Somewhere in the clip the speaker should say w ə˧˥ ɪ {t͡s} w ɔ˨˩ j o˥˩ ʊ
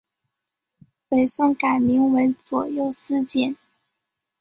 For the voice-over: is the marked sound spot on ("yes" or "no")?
yes